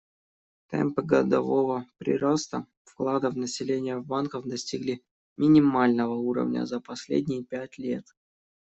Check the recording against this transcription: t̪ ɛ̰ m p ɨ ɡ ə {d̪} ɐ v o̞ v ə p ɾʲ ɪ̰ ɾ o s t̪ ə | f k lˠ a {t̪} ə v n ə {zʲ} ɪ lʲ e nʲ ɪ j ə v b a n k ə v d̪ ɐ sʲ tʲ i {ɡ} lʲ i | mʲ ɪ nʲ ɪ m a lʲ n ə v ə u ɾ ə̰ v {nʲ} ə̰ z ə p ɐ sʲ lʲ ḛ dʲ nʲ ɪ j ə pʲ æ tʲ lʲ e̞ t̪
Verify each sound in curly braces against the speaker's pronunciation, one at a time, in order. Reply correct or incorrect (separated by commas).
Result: correct, incorrect, incorrect, correct, correct